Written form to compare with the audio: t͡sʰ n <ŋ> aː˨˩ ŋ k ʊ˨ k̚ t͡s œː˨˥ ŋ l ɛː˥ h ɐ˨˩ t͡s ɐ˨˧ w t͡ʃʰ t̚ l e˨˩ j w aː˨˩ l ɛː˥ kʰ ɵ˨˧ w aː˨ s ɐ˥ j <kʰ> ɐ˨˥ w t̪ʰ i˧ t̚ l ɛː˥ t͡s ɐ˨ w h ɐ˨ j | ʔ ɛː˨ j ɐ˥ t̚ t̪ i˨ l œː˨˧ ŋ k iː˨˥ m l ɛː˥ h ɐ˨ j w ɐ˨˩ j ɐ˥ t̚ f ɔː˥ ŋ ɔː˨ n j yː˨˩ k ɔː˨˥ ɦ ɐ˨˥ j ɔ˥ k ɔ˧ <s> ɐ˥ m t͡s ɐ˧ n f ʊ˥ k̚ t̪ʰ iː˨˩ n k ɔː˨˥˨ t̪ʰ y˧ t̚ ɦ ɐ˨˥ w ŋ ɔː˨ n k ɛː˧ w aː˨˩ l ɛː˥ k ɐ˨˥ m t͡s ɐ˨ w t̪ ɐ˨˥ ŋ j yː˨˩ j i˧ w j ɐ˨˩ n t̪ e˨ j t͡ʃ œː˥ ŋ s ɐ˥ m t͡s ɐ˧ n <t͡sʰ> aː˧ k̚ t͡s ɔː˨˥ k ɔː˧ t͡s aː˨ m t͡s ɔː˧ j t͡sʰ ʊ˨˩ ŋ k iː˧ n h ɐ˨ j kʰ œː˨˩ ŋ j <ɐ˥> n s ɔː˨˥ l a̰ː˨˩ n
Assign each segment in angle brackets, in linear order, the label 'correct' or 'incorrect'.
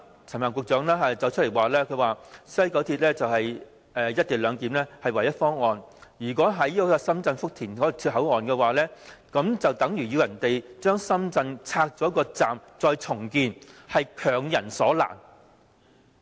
incorrect, incorrect, correct, correct, incorrect

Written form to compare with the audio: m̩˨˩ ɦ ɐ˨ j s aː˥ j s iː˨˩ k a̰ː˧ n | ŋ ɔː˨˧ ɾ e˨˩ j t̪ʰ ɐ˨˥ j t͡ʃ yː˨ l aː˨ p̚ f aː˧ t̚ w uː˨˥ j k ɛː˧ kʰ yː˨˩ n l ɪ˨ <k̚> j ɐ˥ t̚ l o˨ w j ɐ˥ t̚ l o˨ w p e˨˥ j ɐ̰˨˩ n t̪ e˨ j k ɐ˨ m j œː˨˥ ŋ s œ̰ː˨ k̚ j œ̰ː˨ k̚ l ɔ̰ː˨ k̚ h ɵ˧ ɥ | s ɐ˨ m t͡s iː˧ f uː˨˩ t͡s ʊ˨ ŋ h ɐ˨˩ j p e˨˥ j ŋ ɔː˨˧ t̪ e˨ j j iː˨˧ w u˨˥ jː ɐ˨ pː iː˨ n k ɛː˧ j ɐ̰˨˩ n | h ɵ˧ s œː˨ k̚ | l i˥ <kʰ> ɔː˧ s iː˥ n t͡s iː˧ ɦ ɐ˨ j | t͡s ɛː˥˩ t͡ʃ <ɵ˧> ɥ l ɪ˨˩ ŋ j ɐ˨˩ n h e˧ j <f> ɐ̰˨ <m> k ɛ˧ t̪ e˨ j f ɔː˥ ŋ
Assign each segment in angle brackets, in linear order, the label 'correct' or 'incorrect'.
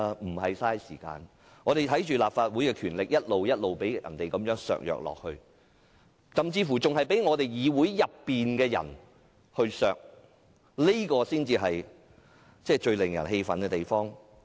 correct, incorrect, correct, correct, incorrect

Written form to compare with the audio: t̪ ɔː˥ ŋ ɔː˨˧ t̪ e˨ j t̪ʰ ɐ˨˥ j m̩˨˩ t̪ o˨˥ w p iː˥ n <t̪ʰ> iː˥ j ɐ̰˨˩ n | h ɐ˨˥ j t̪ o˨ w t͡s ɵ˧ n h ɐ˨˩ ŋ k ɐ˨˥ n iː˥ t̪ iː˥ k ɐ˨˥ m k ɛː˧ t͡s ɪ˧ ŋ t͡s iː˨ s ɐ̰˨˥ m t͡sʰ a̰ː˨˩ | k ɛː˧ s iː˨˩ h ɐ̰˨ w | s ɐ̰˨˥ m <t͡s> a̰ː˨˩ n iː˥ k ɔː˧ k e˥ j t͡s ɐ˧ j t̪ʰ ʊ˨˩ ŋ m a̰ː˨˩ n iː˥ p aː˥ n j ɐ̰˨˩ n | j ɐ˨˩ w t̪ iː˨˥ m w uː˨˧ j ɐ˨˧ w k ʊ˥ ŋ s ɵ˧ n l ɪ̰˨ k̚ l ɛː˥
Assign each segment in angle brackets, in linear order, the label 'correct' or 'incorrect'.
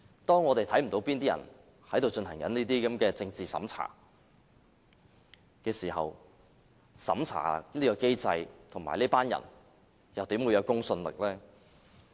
incorrect, incorrect

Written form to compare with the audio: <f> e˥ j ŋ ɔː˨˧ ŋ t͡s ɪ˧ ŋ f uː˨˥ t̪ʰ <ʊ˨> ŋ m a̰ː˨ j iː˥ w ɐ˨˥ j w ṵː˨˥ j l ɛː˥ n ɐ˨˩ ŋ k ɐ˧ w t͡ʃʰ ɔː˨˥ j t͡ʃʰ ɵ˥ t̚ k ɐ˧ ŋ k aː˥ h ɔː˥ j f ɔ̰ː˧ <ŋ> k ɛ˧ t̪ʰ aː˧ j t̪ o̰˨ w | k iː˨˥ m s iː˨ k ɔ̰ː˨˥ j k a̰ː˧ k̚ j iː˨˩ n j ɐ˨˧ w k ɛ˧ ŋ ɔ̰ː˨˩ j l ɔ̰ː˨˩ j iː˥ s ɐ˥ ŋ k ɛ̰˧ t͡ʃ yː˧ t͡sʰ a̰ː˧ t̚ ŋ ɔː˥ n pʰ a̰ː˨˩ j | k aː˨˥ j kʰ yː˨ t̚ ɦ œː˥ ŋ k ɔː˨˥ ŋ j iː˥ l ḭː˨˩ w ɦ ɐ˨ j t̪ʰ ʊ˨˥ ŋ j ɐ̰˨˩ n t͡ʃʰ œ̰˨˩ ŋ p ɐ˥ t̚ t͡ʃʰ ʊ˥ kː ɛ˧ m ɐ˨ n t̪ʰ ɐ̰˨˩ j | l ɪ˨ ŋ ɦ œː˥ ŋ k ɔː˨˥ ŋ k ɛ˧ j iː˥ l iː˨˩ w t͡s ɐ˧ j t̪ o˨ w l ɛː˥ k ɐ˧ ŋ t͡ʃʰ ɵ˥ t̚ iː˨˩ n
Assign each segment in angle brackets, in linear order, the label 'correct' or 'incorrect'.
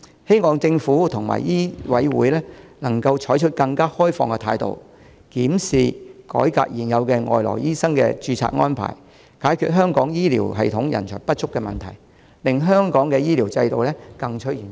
incorrect, correct, correct

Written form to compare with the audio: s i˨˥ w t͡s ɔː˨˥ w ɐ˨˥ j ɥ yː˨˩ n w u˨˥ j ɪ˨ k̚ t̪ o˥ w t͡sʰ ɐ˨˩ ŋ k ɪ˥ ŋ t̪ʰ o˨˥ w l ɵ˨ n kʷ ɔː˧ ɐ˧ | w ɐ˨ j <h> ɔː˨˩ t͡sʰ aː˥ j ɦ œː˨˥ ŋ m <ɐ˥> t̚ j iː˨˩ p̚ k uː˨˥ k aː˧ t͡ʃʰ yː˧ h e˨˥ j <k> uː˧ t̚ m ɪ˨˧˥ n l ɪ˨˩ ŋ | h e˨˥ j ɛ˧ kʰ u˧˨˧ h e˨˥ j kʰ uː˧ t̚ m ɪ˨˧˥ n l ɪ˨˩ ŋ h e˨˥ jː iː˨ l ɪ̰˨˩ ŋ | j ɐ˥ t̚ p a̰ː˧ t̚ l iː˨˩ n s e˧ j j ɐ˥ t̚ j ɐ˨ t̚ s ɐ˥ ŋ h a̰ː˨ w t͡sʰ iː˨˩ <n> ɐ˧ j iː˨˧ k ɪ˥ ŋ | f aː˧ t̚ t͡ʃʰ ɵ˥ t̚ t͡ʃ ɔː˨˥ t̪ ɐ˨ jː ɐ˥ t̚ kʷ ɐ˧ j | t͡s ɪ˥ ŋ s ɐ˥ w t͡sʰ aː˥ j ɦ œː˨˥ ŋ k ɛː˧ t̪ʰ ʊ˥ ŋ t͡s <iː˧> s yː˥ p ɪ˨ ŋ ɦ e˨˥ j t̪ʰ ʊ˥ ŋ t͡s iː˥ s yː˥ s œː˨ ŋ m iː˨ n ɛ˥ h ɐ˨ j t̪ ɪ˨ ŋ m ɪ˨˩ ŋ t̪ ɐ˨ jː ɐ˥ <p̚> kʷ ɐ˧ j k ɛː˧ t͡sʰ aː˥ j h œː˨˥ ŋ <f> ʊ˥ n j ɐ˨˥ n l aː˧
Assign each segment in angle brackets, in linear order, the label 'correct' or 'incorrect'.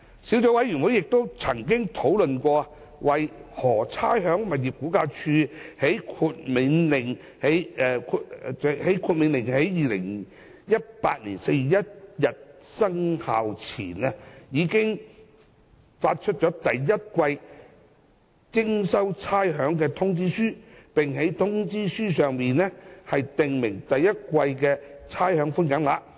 correct, incorrect, incorrect, correct, incorrect, incorrect, correct

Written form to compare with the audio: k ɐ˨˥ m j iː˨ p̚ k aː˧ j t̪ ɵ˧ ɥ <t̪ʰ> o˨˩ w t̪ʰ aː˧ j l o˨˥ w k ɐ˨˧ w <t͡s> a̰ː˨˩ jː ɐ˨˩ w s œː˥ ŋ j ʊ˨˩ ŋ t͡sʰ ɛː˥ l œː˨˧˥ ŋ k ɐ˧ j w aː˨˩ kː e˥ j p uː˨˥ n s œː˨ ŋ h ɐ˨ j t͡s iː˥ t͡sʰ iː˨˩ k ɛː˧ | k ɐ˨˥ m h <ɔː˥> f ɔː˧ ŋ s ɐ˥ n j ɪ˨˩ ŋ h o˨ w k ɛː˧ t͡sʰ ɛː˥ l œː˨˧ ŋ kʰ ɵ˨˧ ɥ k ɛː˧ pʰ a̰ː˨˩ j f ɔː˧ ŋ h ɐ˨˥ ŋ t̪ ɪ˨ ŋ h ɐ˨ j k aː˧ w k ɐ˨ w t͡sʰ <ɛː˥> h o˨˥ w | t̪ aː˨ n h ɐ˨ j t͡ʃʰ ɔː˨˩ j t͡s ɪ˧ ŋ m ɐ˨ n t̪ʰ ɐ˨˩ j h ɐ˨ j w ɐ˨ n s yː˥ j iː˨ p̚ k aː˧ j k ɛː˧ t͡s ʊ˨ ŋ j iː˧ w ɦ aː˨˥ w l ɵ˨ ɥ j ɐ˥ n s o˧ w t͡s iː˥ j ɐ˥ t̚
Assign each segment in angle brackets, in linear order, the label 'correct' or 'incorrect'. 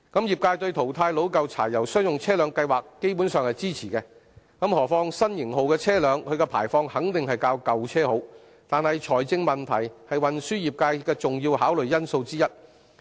correct, incorrect, incorrect, correct

